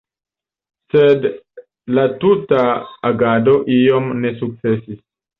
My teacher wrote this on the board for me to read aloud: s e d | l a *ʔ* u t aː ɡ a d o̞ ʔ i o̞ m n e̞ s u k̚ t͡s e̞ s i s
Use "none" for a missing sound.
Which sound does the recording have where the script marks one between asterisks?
t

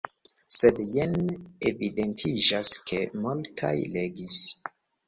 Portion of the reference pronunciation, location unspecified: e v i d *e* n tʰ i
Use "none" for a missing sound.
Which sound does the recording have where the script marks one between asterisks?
e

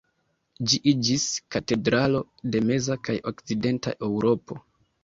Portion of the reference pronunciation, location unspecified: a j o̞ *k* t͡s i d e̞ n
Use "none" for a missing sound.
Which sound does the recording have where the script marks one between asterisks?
k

